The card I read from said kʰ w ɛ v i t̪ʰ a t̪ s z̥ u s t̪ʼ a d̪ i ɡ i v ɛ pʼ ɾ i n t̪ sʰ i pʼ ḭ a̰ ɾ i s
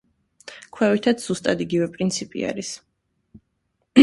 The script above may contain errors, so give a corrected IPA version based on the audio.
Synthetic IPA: kʰ w ɛ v i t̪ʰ a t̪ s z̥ u s t̪ʼ a d̪ i ɡ i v ɛ pʼ ɾ i n t̪ sʰ i pʼ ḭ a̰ ɾ i s